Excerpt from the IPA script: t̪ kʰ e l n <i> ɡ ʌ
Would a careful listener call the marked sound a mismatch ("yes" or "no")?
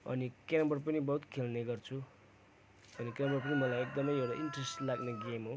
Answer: yes